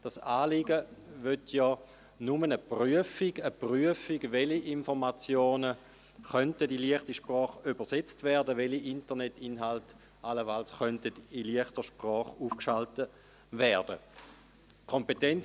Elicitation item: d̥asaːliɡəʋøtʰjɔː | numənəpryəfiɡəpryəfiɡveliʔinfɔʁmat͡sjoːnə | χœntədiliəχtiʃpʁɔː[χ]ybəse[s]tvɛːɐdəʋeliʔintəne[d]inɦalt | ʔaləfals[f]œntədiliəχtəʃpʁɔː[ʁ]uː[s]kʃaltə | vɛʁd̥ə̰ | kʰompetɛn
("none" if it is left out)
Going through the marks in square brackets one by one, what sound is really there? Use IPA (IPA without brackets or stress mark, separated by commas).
χ, t͡s, t, χ, χ, f